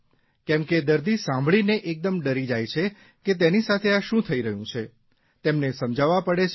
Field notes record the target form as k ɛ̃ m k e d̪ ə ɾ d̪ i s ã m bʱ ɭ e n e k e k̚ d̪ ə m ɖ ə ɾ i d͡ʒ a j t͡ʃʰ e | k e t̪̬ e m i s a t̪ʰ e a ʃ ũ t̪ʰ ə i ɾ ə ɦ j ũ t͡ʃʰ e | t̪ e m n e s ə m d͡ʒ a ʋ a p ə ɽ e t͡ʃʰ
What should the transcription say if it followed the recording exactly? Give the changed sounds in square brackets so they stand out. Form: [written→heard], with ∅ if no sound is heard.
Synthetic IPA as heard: k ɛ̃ m k e d̪ ə ɾ d̪ i s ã m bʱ ɭ [e→i] n e [k→ʔ] e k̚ d̪ ə m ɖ ə ɾ i d͡ʒ a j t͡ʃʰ e | k e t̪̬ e [m→n] i s a t̪ʰ e a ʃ ũ t̪ʰ ə i ɾ ə ɦ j ũ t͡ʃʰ e | t̪ e m n e s ə m d͡ʒ a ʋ a p ə ɽ e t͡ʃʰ